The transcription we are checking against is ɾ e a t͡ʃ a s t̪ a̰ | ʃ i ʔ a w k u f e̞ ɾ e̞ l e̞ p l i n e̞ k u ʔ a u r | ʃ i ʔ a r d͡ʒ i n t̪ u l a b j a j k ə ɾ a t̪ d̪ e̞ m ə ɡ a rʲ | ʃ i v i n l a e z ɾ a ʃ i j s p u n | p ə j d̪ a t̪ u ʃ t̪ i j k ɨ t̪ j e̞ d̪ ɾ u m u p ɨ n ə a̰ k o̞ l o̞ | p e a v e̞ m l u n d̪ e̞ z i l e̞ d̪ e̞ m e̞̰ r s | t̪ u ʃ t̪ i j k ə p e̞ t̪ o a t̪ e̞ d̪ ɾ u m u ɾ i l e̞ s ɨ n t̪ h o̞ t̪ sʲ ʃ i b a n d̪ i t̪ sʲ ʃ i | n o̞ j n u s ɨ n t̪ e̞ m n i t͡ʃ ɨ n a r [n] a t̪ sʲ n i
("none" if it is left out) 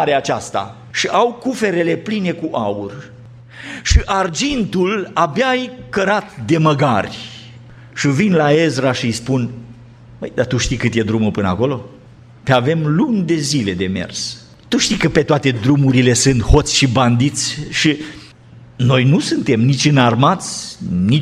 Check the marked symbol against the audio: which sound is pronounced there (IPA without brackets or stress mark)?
m